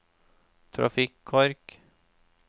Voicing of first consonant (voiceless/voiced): voiceless